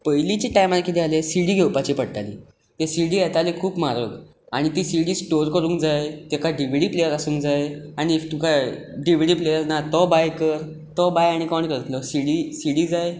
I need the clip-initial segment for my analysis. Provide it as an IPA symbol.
p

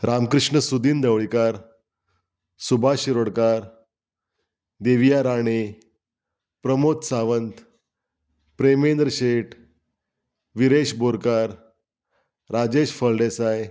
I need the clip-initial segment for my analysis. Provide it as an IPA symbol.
ɾ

